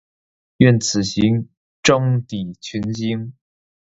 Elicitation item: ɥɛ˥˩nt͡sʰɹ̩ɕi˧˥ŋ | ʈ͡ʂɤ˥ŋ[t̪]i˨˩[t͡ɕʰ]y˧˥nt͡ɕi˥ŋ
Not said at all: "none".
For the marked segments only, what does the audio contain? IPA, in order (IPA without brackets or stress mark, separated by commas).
t̪, t͡ɕʰ